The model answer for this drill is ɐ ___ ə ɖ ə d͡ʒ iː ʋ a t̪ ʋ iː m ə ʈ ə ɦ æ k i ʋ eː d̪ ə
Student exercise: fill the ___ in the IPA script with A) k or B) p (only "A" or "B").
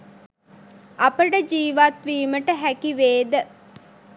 B